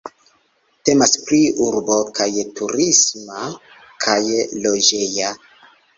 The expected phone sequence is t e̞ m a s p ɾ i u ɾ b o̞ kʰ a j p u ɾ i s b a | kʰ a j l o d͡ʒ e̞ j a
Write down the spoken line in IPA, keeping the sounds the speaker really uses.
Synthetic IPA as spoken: t e̞ m a s p ɾ i u ɾ b o̞ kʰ a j t u ɾ i s m a | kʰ a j l o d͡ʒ e̞ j a